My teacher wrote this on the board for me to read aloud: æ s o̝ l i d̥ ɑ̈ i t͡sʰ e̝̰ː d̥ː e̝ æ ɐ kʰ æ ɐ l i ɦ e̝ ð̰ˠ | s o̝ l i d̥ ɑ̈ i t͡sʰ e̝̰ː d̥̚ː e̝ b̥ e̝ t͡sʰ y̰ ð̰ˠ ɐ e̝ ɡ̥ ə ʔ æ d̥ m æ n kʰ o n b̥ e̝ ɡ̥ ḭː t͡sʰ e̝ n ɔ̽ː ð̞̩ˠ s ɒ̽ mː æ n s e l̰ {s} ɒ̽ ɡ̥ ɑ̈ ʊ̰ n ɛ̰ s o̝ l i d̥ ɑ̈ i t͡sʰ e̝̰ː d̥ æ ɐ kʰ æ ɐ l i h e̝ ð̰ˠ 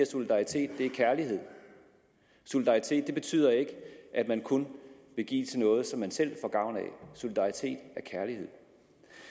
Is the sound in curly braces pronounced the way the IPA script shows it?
no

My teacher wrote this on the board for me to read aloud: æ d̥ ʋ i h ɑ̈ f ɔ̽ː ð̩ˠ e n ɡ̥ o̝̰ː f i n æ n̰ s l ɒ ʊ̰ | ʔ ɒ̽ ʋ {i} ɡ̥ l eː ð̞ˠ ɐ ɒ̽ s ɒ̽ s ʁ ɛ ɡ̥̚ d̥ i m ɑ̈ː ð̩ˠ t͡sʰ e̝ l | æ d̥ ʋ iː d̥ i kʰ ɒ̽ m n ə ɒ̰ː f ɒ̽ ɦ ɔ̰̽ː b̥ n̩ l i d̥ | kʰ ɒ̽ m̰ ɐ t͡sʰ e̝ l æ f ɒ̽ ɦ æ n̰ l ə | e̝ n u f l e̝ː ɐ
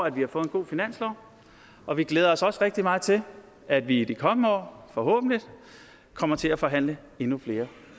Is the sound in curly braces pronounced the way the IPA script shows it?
yes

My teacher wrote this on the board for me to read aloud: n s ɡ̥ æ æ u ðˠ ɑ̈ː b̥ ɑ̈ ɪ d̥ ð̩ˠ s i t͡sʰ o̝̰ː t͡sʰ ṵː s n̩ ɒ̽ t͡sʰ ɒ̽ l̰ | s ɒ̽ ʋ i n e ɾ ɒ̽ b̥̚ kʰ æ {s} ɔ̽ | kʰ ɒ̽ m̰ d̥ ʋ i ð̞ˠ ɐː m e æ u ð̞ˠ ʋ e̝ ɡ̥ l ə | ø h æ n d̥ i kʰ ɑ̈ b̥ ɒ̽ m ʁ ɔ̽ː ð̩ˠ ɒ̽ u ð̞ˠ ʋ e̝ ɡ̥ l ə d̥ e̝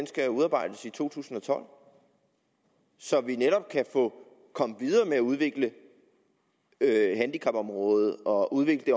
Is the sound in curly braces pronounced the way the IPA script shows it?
no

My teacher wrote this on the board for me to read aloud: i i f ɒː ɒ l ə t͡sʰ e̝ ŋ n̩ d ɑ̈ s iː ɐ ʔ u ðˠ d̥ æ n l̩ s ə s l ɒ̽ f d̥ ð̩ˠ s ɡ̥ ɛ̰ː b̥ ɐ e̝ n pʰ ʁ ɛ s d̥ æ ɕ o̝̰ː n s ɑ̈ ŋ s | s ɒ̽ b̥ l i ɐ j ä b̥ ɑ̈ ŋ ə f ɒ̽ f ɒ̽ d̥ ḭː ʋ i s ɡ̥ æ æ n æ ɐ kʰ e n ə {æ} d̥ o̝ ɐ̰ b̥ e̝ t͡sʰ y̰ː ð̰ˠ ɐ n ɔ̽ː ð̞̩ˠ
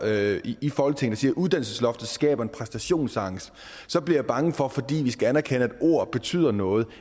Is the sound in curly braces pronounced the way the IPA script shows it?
yes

